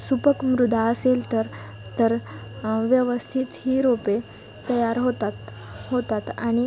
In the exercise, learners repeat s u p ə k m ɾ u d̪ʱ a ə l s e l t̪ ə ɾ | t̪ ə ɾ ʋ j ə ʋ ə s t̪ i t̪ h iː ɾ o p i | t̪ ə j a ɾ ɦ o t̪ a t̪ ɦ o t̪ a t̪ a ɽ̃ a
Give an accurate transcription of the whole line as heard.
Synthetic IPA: s u p ə k m ɾ u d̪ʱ a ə s e l t̪ ə ɾ | t̪ ə ɾ ʋ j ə ʋ ə s t̪ʰ i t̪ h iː ɾ o p e | t̪ ə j a ɾ ɦ o t̪ a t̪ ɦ o t̪ a t̪ a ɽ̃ i